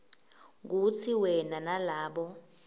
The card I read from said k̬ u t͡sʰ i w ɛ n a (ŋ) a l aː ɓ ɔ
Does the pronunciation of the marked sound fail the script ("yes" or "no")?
yes